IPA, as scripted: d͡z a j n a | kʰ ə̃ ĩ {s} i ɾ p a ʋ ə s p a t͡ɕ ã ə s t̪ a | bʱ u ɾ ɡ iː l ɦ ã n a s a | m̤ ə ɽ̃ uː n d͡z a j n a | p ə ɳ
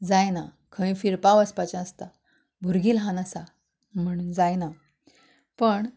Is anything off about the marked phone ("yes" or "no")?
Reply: yes